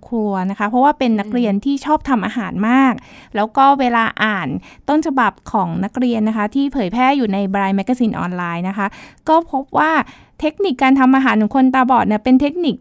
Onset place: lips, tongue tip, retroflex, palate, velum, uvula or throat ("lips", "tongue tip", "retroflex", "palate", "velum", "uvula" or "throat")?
velum